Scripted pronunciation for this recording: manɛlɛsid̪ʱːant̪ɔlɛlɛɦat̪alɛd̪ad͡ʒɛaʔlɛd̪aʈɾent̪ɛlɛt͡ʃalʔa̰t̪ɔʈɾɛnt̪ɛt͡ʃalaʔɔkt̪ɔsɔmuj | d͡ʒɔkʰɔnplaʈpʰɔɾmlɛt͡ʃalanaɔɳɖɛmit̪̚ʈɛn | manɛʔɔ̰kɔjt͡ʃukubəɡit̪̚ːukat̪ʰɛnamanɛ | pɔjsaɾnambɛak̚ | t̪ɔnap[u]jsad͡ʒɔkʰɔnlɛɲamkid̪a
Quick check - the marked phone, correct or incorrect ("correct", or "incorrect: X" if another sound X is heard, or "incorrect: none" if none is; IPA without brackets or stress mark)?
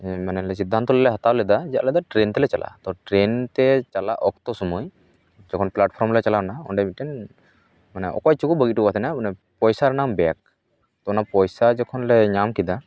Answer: incorrect: ɔ